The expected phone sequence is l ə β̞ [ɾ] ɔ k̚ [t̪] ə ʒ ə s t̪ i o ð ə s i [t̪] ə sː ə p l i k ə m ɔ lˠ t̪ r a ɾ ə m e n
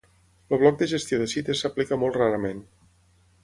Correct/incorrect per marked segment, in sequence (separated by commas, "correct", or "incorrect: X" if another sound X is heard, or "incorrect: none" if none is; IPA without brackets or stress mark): incorrect: l, incorrect: d̪, correct